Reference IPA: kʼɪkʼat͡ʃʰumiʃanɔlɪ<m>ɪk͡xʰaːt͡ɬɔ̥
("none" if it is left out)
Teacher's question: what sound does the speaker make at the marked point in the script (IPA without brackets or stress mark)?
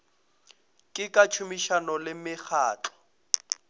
m